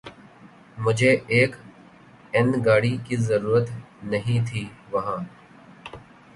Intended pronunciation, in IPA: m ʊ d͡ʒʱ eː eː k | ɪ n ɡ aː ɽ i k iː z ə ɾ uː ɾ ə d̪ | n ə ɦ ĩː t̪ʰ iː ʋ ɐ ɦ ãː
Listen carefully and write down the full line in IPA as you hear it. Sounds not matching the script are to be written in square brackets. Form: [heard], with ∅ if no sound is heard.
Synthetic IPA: m ʊ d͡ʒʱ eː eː k | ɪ n ɡ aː ɽ i k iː z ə ɾ uː ɾ ə [t̪] | n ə ɦ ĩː t̪ʰ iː ʋ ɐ ɦ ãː